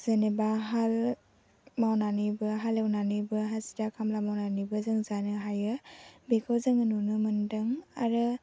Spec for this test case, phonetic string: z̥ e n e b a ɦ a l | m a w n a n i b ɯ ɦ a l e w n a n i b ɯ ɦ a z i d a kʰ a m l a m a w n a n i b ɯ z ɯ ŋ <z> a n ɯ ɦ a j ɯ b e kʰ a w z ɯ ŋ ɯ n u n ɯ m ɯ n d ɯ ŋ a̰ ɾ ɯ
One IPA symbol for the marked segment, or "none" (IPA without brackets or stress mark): z